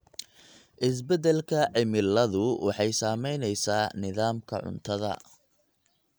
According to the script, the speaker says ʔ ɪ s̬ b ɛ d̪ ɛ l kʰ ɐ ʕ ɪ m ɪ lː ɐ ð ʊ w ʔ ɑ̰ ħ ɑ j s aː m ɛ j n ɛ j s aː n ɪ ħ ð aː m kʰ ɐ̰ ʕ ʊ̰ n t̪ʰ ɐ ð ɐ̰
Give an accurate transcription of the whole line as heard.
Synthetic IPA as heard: ʔ ɪ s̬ b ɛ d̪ ɛ l kʰ ɐ ʕ ɪ m ɪ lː ɐ ð ʊ w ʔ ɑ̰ ħ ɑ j s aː m ɛ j n ɛ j s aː n ɪ ð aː m kʰ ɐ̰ ʕ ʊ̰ n t̪ʰ ɐ ð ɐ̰